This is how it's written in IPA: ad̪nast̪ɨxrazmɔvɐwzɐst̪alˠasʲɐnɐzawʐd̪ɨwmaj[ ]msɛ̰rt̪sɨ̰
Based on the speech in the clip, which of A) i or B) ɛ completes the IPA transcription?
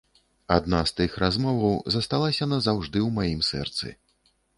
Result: A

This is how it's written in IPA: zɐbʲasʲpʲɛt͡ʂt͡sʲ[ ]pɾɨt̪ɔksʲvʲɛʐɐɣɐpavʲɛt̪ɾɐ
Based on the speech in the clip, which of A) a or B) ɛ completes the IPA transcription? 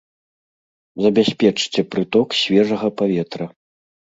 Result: B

